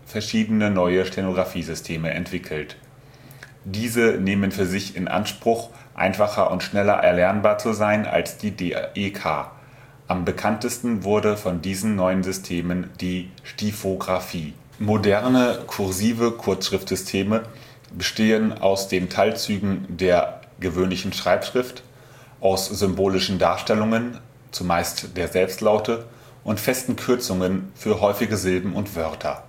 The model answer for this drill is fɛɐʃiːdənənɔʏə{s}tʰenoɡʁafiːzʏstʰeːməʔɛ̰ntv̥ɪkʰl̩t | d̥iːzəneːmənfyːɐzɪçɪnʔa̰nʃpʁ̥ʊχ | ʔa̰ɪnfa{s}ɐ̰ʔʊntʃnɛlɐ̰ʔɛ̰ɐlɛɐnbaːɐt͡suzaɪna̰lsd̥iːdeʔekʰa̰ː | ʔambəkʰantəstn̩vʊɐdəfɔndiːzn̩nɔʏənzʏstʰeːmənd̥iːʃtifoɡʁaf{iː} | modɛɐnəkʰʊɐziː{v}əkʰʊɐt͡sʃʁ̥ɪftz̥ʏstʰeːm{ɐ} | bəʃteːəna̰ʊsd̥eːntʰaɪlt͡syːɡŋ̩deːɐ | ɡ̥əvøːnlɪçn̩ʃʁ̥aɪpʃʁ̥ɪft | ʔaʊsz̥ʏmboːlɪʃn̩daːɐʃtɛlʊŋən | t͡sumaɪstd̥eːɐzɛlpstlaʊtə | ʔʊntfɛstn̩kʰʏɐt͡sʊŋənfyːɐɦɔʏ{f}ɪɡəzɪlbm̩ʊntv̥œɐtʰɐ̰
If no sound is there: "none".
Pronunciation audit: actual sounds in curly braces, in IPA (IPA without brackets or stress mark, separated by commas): ʃ, χ, iː, v, ə, f